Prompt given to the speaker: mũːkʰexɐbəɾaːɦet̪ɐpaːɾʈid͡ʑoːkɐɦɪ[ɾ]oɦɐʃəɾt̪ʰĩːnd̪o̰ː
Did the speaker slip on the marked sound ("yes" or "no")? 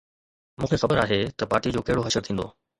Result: yes